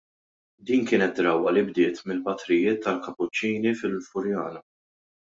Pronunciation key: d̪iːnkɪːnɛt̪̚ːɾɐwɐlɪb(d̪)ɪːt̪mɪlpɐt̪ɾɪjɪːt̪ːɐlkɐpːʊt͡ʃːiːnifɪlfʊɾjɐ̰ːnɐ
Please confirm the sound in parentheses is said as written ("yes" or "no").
yes